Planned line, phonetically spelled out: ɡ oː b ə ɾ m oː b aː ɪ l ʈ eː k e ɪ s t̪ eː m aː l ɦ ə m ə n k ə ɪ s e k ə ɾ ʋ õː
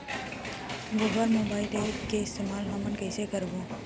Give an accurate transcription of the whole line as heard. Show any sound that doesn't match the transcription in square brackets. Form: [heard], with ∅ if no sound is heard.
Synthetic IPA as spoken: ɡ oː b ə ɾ m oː b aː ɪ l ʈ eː k e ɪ s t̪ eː m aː l ɦ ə m ə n k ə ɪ s e k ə ɾ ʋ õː

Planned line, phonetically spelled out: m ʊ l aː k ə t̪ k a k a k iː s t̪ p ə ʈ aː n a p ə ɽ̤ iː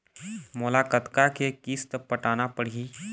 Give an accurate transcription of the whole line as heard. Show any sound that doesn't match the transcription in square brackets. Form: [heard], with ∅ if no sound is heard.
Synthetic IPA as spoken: m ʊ l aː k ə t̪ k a k [e] k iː s t̪ p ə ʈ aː n a p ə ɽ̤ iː

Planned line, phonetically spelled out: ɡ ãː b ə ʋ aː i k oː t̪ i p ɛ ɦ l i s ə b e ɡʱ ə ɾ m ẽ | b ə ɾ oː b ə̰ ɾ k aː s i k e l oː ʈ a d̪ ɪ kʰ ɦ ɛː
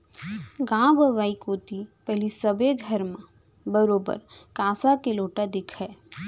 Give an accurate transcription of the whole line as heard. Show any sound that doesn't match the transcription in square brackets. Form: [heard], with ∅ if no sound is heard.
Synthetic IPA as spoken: ɡ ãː b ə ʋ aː i k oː t̪ i p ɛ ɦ l i s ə b e ɡʱ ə ɾ m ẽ | b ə ɾ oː b ə̰ ɾ k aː s [a] k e l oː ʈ a d̪ ɪ kʰ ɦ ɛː

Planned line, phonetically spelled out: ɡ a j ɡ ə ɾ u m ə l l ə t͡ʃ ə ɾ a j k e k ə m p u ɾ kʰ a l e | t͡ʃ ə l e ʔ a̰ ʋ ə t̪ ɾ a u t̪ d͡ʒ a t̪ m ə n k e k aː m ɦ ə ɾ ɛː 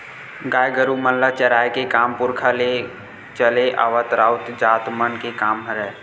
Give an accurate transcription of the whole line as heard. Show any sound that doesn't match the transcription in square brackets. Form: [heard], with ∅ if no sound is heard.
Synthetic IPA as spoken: ɡ a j ɡ ə ɾ u m ə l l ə t͡ʃ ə ɾ a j k e k [a] m p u ɾ kʰ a l e | t͡ʃ ə l e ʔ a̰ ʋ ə t̪ ɾ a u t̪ d͡ʒ a t̪ m ə n k e k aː m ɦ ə ɾ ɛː

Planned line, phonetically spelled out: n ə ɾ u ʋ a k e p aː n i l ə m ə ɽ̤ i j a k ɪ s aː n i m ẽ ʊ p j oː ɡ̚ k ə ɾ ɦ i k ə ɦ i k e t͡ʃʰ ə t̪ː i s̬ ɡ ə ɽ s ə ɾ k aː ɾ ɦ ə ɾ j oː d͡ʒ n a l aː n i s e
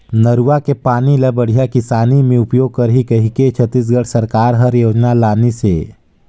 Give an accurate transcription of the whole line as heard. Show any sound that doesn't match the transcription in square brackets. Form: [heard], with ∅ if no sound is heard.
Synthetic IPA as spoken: n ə ɾ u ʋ a k e p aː n i l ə [b] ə ɽ̤ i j a k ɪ s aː n i m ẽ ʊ p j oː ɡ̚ k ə ɾ ɦ i k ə ɦ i k e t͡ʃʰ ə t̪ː i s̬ ɡ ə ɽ s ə ɾ k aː ɾ ɦ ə ɾ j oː d͡ʒ n a l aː n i s e

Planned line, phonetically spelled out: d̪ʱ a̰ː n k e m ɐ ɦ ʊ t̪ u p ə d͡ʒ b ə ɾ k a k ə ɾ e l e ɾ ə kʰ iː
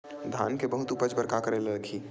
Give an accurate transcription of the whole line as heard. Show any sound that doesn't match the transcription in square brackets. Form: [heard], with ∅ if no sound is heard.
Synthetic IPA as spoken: d̪ʱ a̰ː n k e [b] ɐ ɦ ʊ t̪ u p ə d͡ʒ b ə ɾ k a k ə ɾ e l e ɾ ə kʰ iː

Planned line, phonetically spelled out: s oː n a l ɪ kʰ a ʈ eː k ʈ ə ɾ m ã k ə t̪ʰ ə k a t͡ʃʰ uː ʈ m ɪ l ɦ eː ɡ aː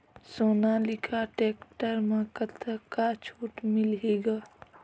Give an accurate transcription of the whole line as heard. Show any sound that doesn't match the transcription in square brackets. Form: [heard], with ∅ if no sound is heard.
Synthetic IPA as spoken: s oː n a l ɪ kʰ a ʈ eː k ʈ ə ɾ m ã k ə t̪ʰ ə k a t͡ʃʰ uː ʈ m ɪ l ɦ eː ɡ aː

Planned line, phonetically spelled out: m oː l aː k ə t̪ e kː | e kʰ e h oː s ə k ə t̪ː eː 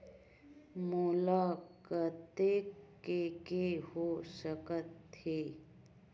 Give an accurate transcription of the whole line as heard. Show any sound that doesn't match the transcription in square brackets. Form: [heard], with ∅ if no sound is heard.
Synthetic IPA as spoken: m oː l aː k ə t̪ e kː | e [k] e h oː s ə k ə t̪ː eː

